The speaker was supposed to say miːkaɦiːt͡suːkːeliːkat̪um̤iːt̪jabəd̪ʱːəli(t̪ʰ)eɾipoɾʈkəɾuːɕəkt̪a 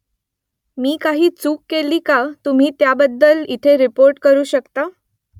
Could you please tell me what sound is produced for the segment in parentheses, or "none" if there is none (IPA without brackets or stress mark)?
t̪ʰ